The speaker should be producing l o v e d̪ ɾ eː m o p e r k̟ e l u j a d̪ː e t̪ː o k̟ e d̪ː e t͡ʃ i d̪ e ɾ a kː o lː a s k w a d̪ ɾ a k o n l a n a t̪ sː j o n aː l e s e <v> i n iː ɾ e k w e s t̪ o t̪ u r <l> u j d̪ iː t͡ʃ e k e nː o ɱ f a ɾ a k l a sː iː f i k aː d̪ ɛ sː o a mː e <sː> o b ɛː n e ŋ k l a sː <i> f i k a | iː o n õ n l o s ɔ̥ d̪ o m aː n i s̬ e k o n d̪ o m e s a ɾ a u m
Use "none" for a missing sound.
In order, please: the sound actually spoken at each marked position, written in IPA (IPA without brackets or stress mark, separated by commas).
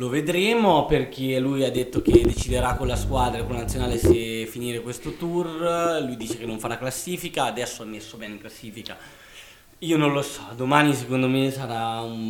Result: f, l, sː, iː